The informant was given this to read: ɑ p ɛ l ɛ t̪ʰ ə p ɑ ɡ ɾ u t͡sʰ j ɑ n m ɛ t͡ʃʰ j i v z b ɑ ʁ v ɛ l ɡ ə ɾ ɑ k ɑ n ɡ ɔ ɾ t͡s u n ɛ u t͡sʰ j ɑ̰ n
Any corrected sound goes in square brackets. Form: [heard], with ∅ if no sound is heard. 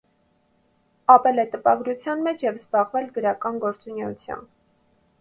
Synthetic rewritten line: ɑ p ɛ l ɛ [t̪] ə p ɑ ɡ ɾ u t͡sʰ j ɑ n m ɛ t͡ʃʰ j [ɛ] v z b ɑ ʁ v ɛ l ɡ ə ɾ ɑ k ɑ n ɡ ɔ ɾ t͡s u n ɛ u t͡sʰ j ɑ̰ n